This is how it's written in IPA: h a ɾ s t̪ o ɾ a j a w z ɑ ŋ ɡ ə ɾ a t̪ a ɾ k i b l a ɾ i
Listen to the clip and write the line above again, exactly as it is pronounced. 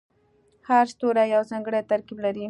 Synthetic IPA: h a ɾ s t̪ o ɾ a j a w z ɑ ŋ ɡ ə ɽ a t̪ a ɾ k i b l a ɾ i